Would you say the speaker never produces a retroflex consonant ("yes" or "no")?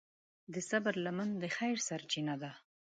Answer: yes